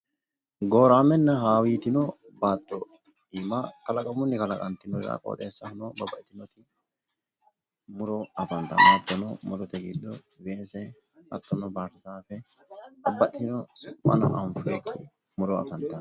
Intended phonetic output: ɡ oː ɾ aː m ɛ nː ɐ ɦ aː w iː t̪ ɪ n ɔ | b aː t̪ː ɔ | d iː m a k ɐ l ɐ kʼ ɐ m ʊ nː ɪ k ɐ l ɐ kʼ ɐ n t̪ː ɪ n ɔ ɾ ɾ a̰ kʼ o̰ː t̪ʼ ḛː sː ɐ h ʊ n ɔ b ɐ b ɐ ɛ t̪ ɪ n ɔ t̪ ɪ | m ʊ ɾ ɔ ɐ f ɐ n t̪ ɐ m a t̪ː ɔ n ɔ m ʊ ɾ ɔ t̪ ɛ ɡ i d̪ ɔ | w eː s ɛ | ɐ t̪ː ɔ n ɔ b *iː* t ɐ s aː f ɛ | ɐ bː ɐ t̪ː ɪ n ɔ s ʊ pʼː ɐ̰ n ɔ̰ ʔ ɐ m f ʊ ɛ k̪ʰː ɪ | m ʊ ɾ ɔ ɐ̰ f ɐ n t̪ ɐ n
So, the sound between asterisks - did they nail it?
no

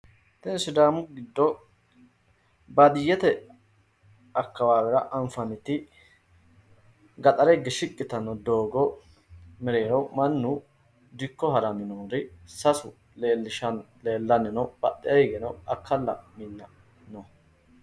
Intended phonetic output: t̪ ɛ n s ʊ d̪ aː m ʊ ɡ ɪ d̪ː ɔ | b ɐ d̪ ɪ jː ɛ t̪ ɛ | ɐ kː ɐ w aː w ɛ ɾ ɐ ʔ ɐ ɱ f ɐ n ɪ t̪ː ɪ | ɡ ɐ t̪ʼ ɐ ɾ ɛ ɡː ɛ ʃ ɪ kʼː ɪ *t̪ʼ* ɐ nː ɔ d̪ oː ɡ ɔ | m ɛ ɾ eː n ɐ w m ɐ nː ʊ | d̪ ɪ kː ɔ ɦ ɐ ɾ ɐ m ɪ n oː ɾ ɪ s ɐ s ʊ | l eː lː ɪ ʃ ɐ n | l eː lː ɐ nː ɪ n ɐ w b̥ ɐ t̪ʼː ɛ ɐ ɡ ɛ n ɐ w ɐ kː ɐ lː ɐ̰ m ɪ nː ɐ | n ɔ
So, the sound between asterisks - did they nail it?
no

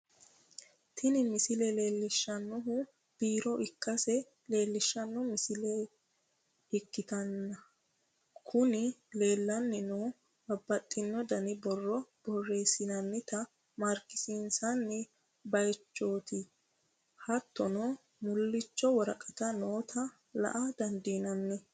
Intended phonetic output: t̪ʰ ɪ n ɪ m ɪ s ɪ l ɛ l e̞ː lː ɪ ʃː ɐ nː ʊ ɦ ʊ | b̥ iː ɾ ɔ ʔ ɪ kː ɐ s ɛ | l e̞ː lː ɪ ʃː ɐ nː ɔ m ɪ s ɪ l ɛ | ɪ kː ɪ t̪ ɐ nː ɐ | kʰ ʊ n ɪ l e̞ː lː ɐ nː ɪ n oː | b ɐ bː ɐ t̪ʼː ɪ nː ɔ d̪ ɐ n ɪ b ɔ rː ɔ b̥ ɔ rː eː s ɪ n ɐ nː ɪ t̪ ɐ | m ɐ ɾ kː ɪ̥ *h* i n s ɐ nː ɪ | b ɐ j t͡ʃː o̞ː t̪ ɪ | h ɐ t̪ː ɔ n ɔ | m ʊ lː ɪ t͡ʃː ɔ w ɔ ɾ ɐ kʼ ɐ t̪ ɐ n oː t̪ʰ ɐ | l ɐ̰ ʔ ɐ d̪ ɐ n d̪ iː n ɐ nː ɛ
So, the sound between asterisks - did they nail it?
no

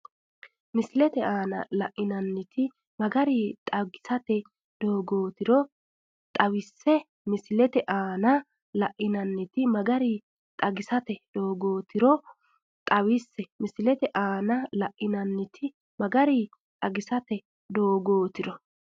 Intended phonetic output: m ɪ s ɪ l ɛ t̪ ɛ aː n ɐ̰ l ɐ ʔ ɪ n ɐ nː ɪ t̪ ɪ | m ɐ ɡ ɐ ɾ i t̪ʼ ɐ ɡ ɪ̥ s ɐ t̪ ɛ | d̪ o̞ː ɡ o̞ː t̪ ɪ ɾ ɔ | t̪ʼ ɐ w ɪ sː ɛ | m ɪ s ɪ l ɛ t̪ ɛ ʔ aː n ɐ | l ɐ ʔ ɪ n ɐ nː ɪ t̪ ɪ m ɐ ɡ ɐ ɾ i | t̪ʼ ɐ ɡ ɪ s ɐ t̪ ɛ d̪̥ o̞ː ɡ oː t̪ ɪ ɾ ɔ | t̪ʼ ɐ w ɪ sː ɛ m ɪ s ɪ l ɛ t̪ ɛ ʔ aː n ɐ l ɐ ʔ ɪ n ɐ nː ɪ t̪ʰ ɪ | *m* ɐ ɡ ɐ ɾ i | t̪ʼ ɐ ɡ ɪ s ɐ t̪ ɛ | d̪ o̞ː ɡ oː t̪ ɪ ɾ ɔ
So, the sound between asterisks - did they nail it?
yes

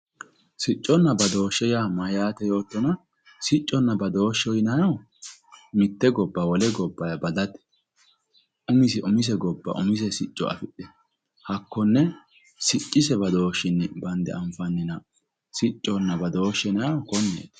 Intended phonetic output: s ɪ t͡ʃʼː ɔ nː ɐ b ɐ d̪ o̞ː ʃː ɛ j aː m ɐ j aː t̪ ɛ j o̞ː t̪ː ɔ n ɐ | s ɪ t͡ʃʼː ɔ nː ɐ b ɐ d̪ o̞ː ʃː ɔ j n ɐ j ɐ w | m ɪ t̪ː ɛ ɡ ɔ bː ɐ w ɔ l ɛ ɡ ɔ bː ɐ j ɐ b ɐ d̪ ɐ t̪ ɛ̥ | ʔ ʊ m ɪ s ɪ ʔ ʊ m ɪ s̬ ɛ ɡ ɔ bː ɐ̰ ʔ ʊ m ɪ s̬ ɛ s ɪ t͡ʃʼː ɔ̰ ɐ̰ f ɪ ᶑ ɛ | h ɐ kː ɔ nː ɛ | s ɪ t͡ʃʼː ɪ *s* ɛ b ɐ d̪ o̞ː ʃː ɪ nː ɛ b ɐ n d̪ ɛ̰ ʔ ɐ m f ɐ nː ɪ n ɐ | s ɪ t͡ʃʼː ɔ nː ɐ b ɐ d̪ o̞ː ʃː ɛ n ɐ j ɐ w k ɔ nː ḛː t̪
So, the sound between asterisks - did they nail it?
yes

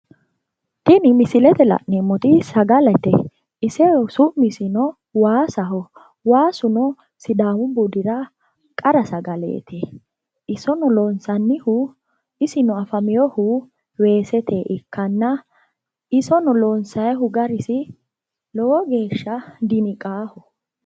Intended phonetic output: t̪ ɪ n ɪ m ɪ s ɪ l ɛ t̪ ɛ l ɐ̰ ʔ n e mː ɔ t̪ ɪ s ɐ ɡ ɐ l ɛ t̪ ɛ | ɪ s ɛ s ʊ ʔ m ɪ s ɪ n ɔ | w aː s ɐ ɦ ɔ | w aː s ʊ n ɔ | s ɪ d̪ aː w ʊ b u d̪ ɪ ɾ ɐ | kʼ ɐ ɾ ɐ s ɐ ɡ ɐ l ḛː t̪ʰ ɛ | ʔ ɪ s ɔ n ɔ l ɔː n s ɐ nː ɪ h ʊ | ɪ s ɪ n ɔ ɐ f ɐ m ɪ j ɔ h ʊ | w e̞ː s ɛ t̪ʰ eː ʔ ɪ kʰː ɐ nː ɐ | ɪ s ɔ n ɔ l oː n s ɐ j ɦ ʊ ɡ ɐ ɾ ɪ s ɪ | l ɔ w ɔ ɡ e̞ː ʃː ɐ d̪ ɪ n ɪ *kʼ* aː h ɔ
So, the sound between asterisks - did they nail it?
yes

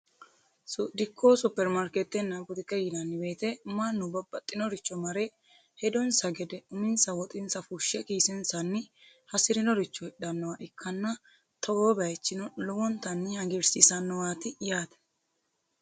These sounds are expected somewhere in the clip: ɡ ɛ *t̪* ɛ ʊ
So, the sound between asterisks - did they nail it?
no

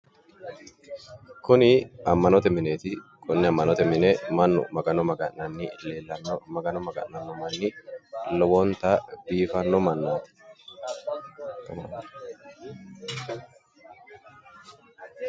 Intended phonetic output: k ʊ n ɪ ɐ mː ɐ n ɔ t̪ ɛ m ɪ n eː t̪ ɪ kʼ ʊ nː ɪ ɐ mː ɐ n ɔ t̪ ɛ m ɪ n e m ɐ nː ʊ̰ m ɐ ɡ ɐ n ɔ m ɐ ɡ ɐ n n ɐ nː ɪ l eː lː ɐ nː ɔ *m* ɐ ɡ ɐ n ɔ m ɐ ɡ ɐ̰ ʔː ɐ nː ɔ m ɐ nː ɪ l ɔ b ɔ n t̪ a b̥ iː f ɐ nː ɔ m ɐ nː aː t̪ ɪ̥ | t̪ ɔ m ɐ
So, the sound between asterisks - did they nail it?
yes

